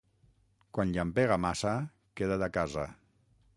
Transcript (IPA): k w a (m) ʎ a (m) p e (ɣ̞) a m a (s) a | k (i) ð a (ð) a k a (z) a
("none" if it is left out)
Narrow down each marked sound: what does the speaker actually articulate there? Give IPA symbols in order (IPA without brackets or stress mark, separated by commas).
n, m, ɣ̞, s, e, ð, z